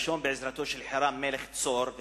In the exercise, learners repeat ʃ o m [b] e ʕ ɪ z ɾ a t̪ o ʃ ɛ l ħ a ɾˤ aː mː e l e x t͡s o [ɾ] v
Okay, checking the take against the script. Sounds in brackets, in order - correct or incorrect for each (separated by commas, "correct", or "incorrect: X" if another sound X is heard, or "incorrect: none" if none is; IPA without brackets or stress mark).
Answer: correct, correct